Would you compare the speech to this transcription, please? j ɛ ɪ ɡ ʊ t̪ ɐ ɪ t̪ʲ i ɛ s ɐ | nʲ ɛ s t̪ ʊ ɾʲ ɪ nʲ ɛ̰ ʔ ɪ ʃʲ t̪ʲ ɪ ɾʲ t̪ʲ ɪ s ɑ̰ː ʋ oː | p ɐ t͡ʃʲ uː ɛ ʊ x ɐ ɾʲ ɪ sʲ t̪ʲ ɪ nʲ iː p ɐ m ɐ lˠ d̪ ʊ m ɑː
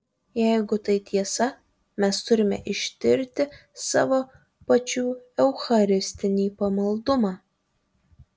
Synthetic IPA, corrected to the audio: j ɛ ɪ ɡ ʊ t̪ ɐ ɪ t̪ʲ i ɛ s ɐ | mʲ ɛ s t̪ ʊ ɾʲ ɪ mʲ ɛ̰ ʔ ɪ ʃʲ t̪ʲ ɪ ɾʲ t̪ʲ ɪ s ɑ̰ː ʋ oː | p ɐ t͡ʃʲ uː ɛ ʊ x ɐ ɾʲ ɪ sʲ t̪ʲ ɪ nʲ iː p ɐ m ɐ lˠ d̪ ʊ m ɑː